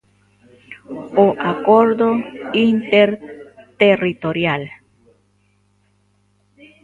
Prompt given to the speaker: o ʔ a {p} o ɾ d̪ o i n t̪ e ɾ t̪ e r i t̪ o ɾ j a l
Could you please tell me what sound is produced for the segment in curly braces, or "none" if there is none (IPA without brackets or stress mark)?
k